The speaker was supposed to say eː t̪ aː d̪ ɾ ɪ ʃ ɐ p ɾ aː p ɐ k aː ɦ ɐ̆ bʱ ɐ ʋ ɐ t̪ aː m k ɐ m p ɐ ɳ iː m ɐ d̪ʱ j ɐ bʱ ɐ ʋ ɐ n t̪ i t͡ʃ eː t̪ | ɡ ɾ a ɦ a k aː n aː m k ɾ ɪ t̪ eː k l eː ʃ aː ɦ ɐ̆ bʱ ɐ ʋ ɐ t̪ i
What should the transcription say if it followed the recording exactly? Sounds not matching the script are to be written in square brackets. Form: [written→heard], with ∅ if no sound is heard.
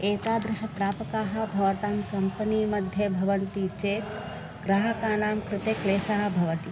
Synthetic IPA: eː t̪ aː d̪ ɾ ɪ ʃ ɐ p ɾ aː p ɐ k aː ɦ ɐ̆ bʱ ɐ ʋ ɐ t̪ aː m k ɐ m p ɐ [ɳ→n] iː m ɐ d̪ʱ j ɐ bʱ ɐ ʋ ɐ n t̪ i t͡ʃ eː t̪ | ɡ ɾ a ɦ [a→ɐ] k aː n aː m k ɾ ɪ t̪ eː k l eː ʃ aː ɦ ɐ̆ bʱ ɐ ʋ ɐ t̪ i